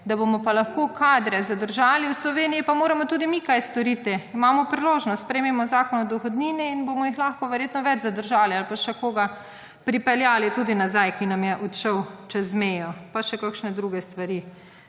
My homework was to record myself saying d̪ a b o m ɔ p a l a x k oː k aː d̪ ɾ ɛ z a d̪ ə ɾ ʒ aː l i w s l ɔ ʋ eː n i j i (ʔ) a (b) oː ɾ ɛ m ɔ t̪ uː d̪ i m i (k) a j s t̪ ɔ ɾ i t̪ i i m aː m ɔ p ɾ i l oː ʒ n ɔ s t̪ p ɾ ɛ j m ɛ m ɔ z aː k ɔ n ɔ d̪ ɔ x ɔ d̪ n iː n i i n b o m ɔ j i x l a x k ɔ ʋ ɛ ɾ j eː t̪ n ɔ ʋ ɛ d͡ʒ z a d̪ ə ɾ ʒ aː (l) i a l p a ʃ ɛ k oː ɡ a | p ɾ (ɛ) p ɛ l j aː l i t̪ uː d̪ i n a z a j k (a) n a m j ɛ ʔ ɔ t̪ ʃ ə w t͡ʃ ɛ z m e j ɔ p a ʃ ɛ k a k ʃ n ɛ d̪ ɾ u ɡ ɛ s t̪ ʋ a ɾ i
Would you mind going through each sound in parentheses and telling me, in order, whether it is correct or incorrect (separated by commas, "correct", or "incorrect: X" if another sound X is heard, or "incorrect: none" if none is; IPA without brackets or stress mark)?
incorrect: p, incorrect: m, correct, correct, incorrect: i, incorrect: i